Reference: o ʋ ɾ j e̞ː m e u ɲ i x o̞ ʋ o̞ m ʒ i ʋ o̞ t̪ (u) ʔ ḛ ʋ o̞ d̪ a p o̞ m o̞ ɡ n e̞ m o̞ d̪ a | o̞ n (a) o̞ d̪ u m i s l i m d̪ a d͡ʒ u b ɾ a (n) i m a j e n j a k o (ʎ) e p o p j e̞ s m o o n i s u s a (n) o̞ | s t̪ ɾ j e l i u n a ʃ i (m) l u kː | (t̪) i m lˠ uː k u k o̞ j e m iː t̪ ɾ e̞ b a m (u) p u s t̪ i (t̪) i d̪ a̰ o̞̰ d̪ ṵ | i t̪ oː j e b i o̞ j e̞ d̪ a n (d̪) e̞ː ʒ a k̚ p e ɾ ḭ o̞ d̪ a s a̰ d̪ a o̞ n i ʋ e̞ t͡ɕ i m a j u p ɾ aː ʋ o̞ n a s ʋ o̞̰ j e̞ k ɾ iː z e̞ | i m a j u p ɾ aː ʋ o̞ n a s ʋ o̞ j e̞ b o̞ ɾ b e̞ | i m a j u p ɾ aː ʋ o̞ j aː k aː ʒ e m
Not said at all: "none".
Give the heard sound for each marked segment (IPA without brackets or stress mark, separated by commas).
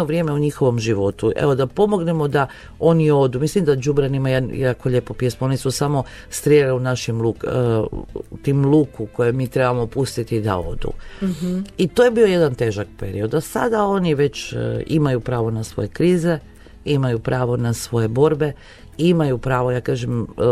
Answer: u, i, n, ʎ, m, m, t̪, o, t̪, t̪